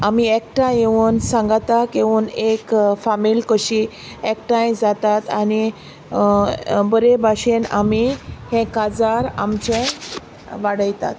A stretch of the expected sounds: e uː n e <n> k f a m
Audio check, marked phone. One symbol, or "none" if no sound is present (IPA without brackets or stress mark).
none